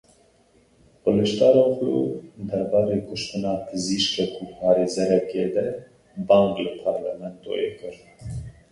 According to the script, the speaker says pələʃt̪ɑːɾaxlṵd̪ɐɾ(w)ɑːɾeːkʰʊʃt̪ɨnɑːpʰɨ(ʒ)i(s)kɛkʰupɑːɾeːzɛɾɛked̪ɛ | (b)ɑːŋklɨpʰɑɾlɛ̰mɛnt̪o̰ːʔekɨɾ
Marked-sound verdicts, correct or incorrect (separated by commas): incorrect, incorrect, incorrect, correct